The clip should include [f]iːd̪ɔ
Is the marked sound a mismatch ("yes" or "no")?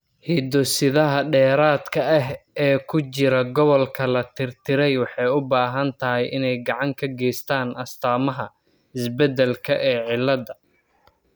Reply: yes